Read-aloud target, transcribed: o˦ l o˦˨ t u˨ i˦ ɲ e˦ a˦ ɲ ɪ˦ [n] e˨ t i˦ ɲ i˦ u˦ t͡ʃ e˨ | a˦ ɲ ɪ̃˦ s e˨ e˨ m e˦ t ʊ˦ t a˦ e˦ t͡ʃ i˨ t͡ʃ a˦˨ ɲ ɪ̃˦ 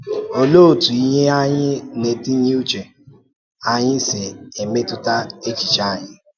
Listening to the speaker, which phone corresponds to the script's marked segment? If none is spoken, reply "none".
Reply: n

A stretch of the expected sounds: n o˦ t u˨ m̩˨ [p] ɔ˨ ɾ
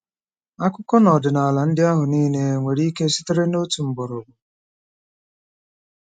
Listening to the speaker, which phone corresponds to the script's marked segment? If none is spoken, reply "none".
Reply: b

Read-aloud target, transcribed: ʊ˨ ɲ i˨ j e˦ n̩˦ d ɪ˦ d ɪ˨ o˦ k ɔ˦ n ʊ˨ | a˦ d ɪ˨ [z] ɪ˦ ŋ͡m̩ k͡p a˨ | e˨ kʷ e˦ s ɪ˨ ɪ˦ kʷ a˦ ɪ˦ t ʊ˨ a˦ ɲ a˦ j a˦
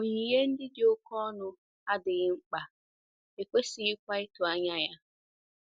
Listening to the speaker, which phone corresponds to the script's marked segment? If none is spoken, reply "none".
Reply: ɣ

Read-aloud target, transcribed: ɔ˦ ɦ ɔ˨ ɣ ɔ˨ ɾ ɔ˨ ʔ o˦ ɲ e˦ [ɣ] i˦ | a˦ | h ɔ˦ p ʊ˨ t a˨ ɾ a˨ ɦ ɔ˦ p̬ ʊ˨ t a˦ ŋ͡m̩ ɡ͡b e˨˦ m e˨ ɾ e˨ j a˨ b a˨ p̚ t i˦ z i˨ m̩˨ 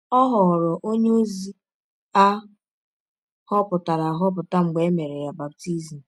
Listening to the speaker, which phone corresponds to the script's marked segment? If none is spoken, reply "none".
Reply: z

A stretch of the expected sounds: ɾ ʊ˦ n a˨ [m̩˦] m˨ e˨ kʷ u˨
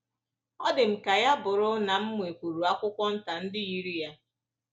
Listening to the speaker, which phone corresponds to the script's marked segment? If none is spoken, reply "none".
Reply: m̩˦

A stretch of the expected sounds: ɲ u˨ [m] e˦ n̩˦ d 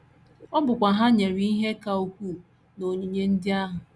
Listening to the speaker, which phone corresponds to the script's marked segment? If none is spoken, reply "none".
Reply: ɲ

